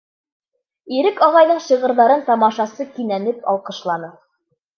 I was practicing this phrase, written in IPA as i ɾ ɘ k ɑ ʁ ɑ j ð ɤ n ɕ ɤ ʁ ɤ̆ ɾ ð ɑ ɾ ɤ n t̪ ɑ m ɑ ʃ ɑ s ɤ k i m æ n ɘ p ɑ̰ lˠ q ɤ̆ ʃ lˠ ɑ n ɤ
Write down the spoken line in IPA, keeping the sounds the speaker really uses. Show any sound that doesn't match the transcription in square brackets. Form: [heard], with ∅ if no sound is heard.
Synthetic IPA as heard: i ɾ ɘ k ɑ ʁ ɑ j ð ɤ [ɴ] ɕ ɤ ʁ ɤ̆ ɾ ð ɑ ɾ ɤ n t̪ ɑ m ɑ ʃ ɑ s ɤ k i [n] æ n ɘ p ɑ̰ lˠ q ɤ̆ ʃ lˠ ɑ n ɤ